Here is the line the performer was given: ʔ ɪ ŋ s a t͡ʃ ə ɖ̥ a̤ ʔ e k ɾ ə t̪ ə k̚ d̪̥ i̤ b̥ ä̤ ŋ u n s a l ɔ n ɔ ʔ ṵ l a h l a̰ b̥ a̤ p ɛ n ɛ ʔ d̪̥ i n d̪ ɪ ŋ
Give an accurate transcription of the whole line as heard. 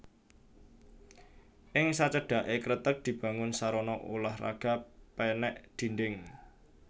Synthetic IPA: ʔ ɪ ŋ s a t͡ʃ ə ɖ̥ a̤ ʔ e k ɾ ə t̪ ə k̚ d̪̥ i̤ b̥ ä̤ ŋ ʊ n s a ɾ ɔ n ɔ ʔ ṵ l a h r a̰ ɡ̥ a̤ p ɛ n ɛ ʔ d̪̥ i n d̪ ɪ ŋ